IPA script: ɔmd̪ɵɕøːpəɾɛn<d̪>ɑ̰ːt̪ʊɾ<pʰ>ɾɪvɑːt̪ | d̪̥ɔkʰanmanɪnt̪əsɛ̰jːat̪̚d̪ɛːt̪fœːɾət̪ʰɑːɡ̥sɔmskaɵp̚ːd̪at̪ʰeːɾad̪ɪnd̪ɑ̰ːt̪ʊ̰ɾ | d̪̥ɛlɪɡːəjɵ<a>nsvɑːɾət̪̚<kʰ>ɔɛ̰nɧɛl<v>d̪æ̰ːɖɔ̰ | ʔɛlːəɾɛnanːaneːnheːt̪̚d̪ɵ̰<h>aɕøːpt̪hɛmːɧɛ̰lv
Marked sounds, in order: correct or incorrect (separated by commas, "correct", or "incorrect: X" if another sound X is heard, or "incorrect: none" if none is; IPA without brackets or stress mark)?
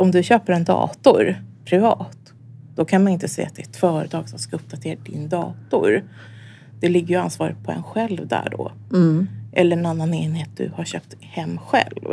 correct, correct, correct, incorrect: pʰ, correct, correct